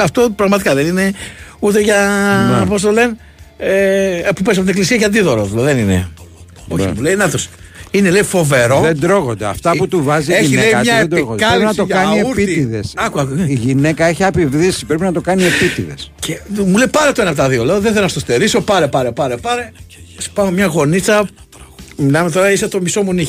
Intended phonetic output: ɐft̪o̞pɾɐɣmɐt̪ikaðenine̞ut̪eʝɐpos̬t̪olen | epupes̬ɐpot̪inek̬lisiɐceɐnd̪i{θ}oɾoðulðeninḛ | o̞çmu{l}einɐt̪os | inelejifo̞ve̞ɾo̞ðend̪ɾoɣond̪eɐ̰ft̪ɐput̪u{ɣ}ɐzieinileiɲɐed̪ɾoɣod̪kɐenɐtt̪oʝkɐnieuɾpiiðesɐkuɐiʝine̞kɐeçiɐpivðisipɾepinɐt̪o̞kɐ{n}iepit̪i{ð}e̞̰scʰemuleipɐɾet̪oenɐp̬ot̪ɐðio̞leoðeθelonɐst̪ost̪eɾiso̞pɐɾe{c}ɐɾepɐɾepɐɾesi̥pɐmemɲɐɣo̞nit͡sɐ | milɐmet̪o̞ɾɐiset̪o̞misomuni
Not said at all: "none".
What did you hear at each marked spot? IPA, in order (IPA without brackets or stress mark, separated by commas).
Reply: ð, l, v, n, ð, p